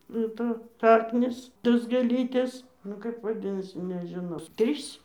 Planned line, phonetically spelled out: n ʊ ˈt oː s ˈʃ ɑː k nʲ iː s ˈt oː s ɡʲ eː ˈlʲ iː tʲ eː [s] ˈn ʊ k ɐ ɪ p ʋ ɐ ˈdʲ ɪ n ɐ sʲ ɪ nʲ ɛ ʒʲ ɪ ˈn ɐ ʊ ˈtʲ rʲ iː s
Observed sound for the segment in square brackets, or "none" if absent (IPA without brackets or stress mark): s